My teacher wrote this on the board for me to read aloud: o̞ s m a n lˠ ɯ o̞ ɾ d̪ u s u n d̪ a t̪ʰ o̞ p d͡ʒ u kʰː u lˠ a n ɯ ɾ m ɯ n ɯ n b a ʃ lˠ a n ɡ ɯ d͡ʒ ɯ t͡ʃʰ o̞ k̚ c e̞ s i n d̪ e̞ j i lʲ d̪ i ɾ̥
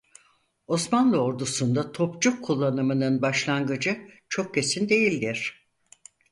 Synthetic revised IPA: o̞ s m a n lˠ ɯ o̞ ɾ d̪ u s u n d̪ a t̪ʰ o̞ p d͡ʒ u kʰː u lˠː a n ɯ m ɯ n ɯ n b a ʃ lˠ a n ɡ ɯ d͡ʒ ɯ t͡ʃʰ o̞ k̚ c e̞ s i n d̪ e̞ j i lʲ d̪ i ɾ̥